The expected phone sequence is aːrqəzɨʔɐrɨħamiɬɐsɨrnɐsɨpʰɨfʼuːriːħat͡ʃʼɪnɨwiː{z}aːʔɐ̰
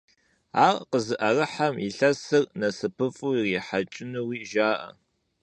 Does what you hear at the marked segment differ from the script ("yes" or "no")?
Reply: yes